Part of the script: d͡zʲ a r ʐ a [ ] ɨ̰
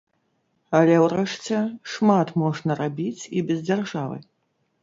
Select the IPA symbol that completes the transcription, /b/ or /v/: v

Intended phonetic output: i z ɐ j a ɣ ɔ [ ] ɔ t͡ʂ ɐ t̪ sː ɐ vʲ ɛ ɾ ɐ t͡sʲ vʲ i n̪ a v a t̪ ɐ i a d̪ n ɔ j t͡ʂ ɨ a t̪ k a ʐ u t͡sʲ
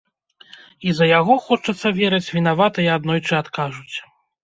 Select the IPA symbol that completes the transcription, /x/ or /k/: x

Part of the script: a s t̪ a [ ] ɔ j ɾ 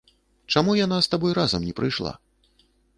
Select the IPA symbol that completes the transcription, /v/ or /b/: b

